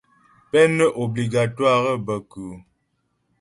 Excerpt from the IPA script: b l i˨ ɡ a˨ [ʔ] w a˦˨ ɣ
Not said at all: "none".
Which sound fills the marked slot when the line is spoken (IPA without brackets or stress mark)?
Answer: t